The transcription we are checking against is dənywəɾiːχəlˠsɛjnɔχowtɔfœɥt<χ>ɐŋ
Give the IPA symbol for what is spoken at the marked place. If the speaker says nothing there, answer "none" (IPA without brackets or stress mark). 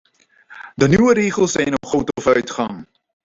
χ